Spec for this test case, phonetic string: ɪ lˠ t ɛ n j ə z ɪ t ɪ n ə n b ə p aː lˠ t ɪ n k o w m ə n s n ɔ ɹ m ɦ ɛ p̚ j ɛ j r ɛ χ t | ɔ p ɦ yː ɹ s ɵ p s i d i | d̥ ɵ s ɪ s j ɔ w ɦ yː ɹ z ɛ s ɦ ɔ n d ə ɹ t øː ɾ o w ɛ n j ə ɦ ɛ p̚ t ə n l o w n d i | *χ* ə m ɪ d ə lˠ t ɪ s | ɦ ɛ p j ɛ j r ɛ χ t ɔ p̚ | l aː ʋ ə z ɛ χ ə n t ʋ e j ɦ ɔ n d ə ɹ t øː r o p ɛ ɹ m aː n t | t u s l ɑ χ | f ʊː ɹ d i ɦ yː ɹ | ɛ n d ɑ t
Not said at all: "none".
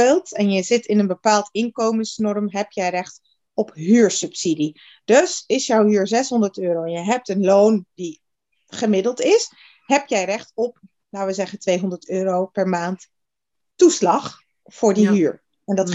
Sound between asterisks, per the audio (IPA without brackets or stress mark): χ